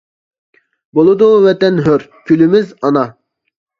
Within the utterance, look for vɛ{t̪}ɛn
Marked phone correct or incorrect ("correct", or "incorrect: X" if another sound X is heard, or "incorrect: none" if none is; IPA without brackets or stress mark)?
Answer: correct